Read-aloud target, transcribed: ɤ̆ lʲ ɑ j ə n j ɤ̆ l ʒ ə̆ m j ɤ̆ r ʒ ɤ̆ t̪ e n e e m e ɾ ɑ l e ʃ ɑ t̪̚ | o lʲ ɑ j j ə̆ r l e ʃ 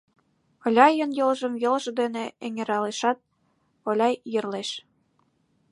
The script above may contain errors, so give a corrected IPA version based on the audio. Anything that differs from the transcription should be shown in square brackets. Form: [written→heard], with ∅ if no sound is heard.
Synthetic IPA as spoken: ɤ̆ lʲ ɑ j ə n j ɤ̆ l ʒ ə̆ m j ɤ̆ [r→l] ʒ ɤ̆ [t̪→d̪] e n e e [m→ŋ] e ɾ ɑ l e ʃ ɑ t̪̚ | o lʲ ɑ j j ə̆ r l e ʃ